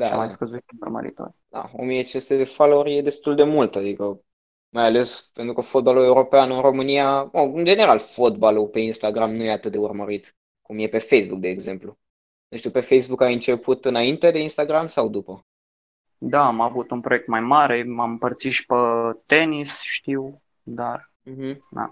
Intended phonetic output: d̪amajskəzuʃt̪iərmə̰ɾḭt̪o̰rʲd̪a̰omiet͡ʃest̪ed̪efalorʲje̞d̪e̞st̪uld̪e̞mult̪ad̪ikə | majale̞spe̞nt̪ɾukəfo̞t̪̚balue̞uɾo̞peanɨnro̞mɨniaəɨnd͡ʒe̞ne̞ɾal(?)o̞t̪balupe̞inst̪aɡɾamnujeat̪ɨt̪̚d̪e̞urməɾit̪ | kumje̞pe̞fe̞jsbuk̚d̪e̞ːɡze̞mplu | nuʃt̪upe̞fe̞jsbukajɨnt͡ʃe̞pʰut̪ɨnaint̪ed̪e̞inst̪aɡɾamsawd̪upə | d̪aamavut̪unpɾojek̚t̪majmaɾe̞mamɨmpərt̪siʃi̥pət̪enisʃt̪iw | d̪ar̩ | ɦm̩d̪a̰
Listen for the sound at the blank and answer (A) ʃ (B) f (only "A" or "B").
B